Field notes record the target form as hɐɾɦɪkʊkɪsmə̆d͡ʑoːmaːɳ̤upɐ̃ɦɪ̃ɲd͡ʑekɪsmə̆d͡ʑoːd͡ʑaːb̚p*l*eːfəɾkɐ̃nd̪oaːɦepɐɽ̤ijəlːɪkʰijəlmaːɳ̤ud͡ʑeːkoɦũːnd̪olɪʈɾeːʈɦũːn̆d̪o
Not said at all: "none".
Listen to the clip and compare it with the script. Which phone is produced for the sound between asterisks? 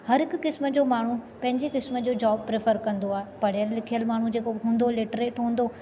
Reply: ɾ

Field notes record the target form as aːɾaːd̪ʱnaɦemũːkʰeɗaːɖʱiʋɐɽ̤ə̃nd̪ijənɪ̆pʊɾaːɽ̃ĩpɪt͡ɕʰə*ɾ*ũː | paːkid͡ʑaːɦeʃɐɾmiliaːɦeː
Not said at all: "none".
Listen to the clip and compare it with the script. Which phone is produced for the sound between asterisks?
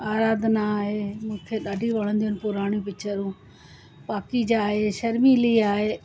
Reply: ɾ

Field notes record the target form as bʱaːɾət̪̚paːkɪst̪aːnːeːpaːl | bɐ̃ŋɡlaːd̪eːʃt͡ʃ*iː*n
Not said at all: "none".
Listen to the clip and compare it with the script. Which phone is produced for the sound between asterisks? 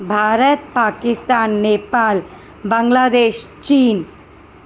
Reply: iː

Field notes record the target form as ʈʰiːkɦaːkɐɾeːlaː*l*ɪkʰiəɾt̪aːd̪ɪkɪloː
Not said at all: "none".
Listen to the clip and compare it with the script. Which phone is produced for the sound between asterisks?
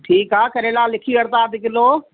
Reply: l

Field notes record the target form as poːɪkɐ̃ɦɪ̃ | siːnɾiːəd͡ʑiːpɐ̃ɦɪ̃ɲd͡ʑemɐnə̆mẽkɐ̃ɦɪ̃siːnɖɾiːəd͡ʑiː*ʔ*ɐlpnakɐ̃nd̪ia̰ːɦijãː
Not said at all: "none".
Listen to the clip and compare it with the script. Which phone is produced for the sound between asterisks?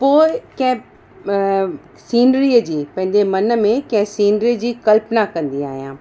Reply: k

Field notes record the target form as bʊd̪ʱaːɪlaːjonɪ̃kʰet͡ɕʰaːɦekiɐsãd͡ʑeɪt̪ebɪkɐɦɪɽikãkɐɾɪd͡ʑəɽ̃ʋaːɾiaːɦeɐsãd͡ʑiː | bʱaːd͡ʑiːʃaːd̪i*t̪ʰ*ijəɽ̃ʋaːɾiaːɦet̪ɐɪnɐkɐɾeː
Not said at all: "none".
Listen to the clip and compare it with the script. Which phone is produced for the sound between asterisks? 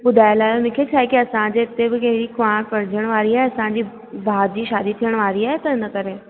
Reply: t̪ʰ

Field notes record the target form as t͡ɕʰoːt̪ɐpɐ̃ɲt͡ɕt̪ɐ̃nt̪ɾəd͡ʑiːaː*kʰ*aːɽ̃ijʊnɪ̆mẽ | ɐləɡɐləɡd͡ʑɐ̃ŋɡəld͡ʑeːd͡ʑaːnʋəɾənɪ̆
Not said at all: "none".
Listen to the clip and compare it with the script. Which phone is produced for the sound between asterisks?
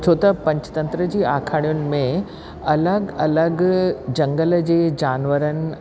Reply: kʰ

